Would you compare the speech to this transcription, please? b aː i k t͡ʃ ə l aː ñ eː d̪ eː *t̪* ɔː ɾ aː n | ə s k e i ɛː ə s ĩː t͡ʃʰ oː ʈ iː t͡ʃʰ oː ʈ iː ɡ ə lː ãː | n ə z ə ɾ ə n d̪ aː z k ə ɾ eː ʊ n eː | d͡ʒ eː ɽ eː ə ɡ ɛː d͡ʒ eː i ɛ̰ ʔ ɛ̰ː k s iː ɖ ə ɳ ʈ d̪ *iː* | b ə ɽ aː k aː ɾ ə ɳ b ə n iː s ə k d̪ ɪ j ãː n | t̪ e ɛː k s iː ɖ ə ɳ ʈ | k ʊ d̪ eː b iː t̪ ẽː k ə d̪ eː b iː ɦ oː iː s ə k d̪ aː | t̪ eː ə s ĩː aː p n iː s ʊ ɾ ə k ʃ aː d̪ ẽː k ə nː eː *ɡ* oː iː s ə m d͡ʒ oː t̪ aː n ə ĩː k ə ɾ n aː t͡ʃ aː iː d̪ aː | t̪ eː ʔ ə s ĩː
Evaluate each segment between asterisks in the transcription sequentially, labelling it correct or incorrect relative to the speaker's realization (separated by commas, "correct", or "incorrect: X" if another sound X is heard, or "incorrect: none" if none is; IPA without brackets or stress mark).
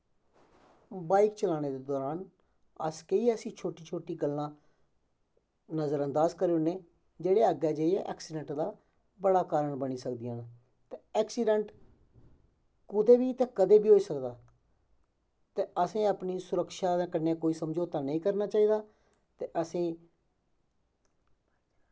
incorrect: d̪, incorrect: aː, incorrect: k